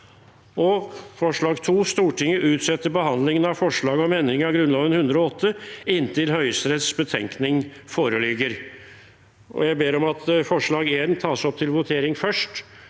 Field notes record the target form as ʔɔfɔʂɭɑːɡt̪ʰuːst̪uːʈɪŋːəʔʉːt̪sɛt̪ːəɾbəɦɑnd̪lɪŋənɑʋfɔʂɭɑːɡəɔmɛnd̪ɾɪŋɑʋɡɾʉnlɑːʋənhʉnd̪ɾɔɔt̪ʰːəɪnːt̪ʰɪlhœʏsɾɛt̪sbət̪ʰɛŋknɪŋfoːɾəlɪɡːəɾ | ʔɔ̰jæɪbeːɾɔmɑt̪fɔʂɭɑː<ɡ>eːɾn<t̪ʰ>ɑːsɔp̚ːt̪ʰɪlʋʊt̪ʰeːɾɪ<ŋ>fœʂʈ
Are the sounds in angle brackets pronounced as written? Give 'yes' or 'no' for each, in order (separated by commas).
yes, yes, yes